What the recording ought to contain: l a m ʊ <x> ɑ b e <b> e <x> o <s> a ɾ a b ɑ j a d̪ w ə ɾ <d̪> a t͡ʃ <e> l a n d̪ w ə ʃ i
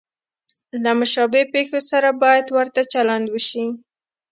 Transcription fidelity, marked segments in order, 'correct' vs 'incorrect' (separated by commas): incorrect, incorrect, correct, correct, incorrect, incorrect